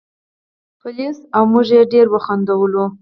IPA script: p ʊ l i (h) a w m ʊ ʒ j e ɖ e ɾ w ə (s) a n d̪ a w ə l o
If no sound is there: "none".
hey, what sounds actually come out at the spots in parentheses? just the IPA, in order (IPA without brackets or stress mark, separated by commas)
s, x